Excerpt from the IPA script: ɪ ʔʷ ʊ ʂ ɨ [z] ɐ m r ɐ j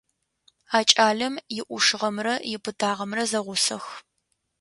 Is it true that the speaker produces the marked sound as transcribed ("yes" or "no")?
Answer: no